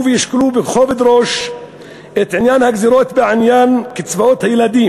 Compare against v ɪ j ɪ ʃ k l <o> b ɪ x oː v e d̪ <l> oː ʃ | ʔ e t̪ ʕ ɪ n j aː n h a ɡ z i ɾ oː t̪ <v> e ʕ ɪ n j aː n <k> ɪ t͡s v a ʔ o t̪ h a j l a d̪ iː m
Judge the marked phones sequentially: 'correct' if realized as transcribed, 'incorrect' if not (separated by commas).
incorrect, incorrect, incorrect, correct